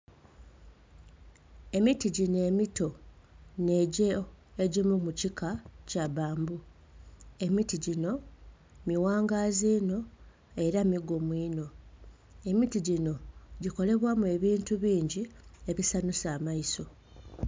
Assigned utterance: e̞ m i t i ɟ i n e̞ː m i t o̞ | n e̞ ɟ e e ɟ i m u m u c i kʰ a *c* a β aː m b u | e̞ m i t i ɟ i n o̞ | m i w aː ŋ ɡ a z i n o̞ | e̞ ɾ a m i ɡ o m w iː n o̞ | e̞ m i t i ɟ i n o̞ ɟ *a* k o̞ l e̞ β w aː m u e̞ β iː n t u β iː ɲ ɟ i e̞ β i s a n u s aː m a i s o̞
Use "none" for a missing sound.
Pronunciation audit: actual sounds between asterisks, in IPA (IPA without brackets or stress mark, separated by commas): c, i